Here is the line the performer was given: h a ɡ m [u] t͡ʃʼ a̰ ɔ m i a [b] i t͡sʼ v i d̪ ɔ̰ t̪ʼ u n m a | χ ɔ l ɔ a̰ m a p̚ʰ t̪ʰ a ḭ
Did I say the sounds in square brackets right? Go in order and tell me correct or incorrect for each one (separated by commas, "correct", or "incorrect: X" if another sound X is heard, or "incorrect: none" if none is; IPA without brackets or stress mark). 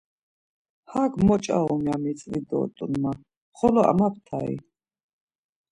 incorrect: ɔ, incorrect: m